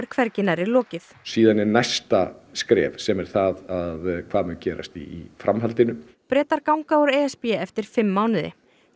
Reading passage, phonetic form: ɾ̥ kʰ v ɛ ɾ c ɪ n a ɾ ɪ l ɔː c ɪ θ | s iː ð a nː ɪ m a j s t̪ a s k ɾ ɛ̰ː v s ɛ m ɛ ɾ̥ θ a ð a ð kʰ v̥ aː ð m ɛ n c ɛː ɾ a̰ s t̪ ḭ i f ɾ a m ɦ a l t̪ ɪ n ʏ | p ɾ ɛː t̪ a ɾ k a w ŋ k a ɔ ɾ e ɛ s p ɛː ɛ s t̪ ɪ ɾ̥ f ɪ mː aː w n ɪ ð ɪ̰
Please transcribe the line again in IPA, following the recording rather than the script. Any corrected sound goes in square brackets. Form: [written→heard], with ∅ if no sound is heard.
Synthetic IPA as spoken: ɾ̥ kʰ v ɛ ɾ c ɪ n a ɾ ɪ l ɔː c ɪ θ | s iː ð a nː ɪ [m→n] a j s t̪ a s k ɾ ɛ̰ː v s ɛ m ɛ ɾ̥ θ a ð a ð kʰ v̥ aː ð m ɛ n c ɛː ɾ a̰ s t̪ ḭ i f ɾ a m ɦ a l t̪ ɪ n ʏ | p ɾ ɛː t̪ a ɾ k a w ŋ k a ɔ ɾ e ɛ s p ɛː ɛ [s→f] t̪ ɪ ɾ̥ f ɪ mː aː w n ɪ ð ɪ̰